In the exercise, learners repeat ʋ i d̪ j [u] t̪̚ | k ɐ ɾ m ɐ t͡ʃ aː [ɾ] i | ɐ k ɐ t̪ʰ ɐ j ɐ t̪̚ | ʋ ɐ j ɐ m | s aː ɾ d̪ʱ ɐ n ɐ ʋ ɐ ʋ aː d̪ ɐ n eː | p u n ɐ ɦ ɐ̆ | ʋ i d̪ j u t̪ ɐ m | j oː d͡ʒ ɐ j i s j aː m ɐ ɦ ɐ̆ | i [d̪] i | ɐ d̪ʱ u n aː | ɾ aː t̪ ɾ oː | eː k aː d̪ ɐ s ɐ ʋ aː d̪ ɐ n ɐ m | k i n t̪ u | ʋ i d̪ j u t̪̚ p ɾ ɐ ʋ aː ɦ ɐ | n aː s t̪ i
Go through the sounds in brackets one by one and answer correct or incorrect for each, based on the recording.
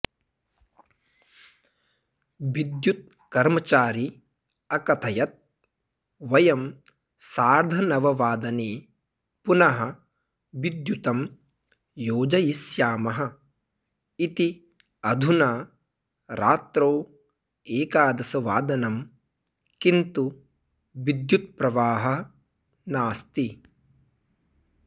correct, correct, incorrect: t̪

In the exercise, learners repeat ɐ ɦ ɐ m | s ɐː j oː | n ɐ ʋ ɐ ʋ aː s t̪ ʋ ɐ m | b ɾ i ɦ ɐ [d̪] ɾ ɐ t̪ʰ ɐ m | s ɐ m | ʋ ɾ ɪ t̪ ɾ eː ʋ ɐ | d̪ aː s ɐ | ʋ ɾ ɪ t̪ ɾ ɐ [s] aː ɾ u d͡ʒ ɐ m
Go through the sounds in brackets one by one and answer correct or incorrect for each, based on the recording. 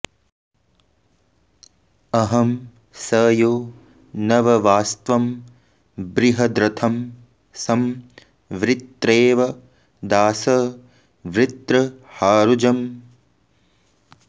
correct, incorrect: h

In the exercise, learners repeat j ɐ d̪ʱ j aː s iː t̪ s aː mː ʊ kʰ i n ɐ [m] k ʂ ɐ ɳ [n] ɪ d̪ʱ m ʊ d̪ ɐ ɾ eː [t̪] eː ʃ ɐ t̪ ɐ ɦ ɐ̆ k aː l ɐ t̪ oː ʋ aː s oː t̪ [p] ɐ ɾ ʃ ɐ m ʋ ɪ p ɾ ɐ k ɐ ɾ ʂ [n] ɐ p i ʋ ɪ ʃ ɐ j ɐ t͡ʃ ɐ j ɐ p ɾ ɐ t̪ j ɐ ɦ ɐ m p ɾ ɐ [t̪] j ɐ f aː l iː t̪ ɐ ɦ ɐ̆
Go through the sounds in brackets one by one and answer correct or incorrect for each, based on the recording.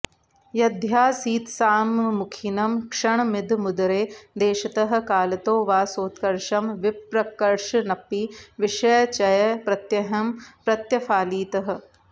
correct, incorrect: m, incorrect: d̪, incorrect: k, correct, correct

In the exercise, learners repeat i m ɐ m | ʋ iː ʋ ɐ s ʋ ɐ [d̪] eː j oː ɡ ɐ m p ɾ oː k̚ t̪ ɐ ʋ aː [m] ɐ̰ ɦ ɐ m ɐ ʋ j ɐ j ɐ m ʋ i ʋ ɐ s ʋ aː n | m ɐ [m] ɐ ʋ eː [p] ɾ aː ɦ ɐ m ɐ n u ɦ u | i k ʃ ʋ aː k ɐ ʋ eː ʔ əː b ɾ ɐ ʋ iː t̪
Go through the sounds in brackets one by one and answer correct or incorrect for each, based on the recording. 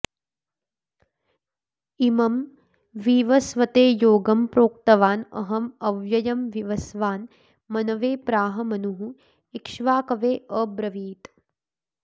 incorrect: t̪, incorrect: n, incorrect: n, correct

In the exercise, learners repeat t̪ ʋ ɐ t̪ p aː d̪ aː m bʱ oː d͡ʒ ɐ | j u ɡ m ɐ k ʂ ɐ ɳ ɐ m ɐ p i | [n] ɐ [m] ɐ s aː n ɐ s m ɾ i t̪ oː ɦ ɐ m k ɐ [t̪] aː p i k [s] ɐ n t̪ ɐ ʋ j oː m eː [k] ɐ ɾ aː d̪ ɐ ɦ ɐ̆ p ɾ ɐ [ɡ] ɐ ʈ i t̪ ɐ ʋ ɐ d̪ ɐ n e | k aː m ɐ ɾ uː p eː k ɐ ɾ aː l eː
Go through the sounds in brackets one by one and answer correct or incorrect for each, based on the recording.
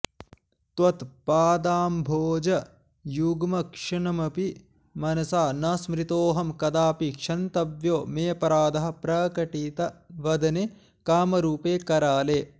incorrect: m, incorrect: n, incorrect: d̪, incorrect: ʂ, incorrect: p, incorrect: k

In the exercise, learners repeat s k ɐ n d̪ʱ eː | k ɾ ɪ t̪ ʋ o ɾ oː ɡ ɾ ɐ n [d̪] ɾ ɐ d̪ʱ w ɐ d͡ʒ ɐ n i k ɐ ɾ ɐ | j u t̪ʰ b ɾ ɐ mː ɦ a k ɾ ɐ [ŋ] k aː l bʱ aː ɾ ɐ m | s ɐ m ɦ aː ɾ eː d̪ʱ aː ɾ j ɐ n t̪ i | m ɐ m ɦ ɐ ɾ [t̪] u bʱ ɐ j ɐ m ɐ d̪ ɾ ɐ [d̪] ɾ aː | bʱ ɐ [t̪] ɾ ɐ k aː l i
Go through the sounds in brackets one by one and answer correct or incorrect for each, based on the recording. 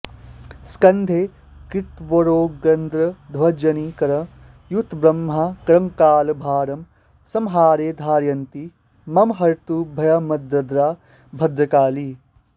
correct, correct, correct, correct, incorrect: d̪

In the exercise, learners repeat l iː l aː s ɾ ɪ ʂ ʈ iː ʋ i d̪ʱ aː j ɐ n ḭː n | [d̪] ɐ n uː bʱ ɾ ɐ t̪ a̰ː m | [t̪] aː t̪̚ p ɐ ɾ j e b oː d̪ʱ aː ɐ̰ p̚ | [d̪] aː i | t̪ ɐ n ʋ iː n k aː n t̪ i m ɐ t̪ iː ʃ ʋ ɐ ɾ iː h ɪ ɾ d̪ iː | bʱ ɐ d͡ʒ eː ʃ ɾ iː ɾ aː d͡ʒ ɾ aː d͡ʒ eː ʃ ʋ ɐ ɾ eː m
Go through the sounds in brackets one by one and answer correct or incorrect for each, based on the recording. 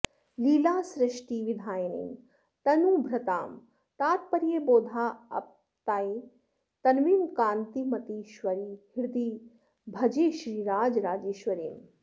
incorrect: t̪, correct, incorrect: t̪

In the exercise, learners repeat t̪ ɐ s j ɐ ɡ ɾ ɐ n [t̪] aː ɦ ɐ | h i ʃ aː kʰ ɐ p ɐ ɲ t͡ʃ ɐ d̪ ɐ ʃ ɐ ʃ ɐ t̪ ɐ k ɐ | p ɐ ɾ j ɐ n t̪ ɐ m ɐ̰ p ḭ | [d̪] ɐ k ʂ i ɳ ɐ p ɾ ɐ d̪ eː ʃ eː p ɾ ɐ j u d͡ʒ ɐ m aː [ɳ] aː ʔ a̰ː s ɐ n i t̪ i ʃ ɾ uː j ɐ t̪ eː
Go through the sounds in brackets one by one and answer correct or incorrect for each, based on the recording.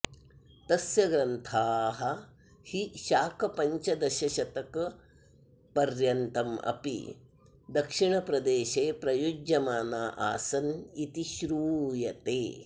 incorrect: t̪ʰ, correct, incorrect: n

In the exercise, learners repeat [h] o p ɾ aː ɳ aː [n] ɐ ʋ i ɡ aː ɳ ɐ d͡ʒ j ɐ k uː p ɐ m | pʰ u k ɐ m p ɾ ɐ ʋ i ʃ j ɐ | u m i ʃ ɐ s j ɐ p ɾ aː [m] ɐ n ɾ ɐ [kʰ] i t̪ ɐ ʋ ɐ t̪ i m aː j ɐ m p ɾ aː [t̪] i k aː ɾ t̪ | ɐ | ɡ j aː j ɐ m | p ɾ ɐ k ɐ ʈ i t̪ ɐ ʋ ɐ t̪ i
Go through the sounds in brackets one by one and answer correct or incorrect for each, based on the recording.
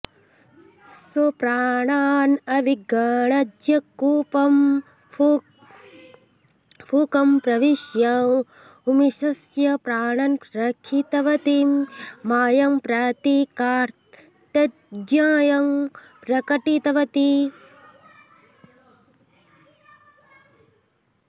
incorrect: s, correct, incorrect: ɳ, correct, correct

